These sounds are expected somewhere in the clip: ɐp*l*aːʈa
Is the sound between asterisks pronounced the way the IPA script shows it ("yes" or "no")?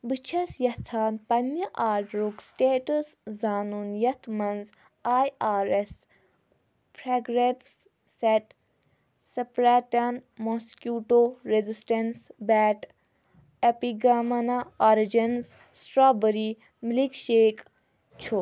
no